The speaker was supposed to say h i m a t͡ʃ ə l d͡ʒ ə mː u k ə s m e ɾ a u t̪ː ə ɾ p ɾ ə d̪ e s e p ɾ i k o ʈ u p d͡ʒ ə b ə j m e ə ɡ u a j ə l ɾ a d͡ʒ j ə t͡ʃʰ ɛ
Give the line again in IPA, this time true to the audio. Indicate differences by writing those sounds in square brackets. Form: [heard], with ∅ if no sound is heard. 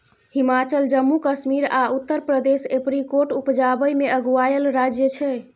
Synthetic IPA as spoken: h i m a t͡ʃ ə l d͡ʒ ə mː u k ə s m [i] ɾ a u t̪ː ə ɾ p ɾ ə d̪ e s e p ɾ i k o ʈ u p d͡ʒ [a] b ə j m e ə ɡ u a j ə l ɾ a d͡ʒ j ə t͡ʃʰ ɛ